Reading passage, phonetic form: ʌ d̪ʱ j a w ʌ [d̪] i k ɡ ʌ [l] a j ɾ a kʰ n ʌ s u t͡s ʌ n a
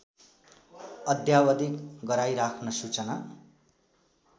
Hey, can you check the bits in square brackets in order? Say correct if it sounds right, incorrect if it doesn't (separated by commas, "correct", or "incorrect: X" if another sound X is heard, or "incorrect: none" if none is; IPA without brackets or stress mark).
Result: correct, incorrect: ɾ